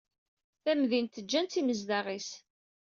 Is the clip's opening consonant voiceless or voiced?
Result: voiceless